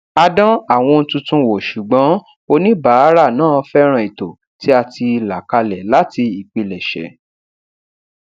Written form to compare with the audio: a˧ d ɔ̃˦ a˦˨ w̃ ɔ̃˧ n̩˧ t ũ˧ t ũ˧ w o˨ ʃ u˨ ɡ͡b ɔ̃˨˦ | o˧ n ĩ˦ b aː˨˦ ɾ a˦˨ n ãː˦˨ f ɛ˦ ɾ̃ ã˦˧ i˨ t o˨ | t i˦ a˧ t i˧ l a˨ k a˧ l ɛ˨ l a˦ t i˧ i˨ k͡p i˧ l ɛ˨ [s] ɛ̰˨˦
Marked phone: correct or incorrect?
incorrect